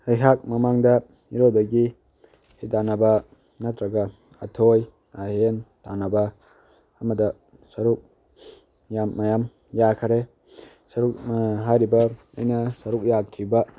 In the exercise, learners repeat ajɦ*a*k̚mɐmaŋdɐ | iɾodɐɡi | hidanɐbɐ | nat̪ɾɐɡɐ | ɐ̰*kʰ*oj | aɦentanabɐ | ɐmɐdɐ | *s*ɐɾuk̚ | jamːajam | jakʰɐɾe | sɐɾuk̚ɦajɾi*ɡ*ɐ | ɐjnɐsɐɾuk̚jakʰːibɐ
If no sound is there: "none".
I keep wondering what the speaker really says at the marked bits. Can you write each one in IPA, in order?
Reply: a, tʰ, s, b

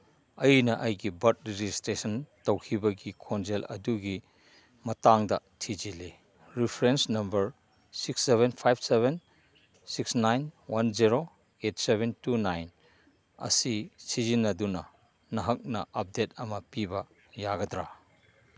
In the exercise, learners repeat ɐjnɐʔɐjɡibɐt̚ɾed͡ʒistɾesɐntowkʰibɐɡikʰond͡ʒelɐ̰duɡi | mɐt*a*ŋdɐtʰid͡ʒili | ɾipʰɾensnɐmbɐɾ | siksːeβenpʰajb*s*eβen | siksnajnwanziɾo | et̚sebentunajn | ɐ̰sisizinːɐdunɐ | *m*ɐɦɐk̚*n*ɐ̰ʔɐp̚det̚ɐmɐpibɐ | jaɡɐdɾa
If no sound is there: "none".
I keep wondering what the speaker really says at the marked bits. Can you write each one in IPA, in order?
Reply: a, s, n, n

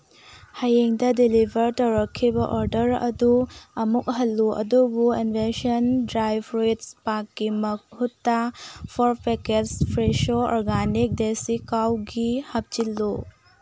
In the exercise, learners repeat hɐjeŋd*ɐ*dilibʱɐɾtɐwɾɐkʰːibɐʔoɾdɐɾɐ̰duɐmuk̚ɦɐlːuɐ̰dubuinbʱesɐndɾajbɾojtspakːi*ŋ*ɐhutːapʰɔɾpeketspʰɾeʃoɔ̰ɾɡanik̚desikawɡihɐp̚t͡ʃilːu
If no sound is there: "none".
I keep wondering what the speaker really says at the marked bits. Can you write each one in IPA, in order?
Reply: ɐ, m

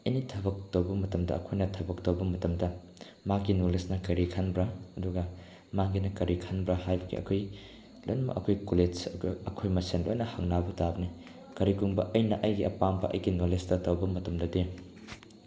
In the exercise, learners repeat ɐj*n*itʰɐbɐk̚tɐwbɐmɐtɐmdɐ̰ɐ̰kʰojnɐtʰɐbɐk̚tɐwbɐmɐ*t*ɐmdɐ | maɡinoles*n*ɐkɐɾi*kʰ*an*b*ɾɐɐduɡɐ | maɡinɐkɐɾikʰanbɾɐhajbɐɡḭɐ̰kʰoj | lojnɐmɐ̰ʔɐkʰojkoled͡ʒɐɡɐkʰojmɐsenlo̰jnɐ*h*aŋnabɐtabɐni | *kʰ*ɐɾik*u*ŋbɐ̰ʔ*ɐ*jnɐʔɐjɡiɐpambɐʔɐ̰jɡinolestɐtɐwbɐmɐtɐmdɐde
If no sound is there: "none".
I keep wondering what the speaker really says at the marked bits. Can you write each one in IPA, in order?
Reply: n, t, n, kʰ, b, h, k, u, ɐ

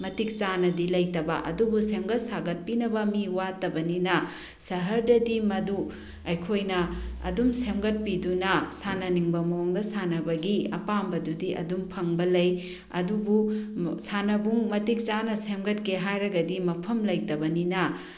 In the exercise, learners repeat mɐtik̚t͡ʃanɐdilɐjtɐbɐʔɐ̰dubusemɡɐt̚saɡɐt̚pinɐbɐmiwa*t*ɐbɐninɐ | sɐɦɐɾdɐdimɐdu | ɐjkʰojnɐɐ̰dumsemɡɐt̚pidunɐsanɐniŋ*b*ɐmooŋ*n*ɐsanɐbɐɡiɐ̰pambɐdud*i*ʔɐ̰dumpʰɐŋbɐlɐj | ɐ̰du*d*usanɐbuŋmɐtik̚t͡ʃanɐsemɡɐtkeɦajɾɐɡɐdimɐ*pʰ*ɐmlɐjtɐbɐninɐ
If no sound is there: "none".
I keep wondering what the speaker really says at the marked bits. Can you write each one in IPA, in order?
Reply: t, b, d, i, b, pʰ

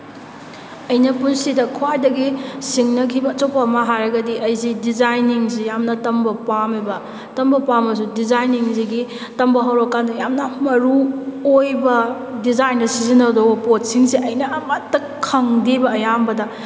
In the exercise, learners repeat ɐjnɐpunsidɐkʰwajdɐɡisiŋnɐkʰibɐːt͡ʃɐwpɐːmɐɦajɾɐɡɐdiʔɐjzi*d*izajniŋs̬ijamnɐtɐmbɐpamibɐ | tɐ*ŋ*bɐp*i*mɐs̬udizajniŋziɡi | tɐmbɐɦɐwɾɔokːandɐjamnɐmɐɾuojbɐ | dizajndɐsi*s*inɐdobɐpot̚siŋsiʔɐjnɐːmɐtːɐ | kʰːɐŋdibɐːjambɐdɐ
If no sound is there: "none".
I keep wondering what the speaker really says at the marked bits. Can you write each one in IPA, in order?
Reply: d, m, a, z

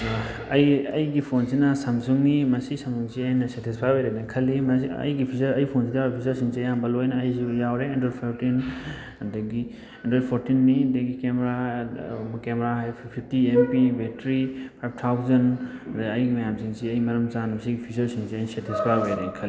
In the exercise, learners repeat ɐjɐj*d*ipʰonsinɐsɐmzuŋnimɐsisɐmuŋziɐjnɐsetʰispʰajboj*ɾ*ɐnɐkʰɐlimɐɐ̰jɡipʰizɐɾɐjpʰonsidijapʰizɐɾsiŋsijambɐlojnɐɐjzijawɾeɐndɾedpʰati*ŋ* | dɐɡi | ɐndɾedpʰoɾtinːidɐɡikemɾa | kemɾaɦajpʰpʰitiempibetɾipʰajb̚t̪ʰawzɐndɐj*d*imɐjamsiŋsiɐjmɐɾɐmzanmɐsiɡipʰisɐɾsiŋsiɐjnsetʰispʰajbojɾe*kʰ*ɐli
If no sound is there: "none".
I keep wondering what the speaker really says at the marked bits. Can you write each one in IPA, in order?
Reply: ɡ, ɾ, n, ɡ, kʰ

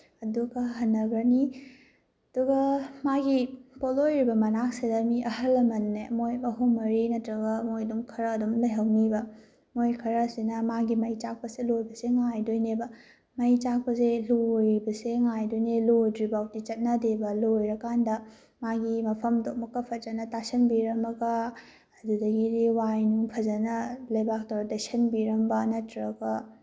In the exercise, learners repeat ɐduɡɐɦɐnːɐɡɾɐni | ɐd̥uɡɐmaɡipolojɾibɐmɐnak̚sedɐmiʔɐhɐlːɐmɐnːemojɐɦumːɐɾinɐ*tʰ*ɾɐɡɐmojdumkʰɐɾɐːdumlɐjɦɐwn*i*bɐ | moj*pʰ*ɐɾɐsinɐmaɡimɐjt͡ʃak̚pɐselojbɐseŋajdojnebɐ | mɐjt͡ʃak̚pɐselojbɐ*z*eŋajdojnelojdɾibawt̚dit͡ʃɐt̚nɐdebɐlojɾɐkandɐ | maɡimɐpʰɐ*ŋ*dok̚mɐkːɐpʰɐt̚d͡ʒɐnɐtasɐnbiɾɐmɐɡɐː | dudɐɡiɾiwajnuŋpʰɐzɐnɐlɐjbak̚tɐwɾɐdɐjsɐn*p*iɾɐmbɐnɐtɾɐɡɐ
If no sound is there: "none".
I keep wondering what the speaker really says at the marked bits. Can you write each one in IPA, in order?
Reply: t, i, kʰ, s, m, b

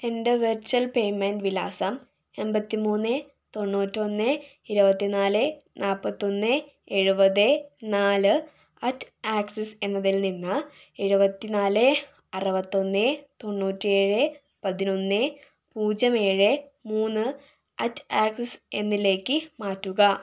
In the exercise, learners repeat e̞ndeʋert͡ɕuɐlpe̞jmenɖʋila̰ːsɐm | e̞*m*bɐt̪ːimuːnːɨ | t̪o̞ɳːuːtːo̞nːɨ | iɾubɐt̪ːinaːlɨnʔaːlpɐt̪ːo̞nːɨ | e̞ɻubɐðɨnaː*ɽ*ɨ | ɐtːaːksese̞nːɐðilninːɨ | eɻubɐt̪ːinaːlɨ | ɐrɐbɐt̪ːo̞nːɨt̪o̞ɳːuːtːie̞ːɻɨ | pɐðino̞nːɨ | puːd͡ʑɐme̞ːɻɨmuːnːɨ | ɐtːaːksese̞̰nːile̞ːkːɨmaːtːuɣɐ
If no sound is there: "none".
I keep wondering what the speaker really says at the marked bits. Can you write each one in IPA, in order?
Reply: m, l

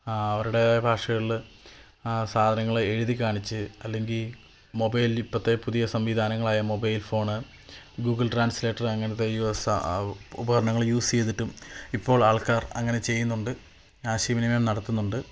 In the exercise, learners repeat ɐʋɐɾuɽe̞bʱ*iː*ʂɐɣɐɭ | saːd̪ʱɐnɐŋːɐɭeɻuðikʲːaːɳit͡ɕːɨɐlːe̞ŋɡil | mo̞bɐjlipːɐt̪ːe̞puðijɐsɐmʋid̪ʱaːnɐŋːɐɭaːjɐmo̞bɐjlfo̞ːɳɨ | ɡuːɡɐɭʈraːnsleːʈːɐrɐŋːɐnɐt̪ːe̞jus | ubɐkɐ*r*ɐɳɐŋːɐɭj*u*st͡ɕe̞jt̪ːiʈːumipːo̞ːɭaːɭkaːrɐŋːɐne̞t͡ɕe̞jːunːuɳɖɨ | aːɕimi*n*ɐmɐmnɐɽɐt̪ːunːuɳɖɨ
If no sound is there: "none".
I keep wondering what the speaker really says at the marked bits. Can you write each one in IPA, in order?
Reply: aː, ɾ, uː, n

